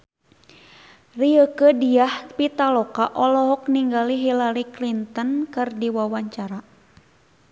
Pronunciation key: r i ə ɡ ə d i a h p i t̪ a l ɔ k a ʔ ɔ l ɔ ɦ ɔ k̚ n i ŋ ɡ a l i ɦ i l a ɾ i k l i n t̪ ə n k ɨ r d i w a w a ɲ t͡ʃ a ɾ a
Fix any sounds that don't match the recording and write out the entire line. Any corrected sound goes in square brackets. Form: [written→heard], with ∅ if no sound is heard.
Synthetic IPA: r i ə [ɡ→k] ə d i a h p i t̪ a l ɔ k a ʔ ɔ l ɔ ɦ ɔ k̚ n i ŋ ɡ a l i ɦ i l a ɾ i k l i n t̪ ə n k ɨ r d i w a w a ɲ t͡ʃ a ɾ a